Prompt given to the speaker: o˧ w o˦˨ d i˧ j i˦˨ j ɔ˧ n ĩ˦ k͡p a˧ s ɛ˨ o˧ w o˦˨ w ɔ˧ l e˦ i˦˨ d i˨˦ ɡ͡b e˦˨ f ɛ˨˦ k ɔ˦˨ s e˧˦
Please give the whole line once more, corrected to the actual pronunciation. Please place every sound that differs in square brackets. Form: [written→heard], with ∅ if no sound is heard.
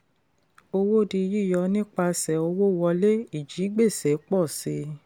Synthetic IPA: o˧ w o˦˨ d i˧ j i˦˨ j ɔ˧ n ĩ˦ k͡p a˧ s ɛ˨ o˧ w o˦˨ w ɔ˧ l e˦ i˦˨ [d→d͡ʒ] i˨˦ ɡ͡b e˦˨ [f→s] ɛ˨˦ [k→k͡p] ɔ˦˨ s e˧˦